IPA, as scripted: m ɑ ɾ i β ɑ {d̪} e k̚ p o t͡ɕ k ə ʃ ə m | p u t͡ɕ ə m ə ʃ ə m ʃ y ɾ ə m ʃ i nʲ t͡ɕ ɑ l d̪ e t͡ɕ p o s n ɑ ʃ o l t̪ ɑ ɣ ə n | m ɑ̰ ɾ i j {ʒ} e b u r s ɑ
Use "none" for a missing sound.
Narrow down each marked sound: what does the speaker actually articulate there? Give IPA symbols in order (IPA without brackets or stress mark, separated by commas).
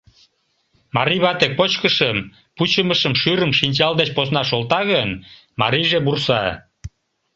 t̪, ʒ